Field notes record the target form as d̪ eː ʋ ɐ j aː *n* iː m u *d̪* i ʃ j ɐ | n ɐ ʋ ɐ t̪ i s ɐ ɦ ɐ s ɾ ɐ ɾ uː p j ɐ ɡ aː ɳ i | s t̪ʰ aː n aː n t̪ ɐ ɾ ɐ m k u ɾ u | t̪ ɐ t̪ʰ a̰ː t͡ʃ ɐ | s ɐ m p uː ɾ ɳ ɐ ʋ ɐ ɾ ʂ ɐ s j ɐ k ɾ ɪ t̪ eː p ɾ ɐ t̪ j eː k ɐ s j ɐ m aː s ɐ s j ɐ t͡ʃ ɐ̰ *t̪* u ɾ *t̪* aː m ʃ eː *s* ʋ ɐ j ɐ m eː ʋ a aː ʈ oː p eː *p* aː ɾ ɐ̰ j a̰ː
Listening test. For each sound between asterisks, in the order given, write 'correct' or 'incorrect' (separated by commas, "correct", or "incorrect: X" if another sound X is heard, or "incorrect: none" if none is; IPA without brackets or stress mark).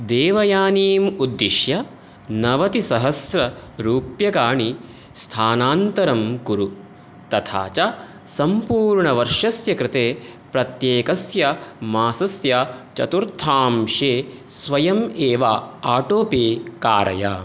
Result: correct, incorrect: d̪ː, correct, incorrect: t̪ʰ, correct, incorrect: k